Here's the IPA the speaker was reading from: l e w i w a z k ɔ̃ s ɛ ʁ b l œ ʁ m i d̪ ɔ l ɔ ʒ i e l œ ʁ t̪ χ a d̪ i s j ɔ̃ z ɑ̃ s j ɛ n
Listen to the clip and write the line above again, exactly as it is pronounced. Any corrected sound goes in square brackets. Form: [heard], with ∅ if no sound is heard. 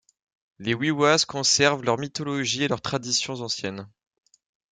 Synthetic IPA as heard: l e w i w a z k ɔ̃ s ɛ ʁ [v] l œ ʁ m i [t̪] ɔ l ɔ ʒ i e l œ ʁ t̪ χ a d̪ i s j ɔ̃ z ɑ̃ s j ɛ n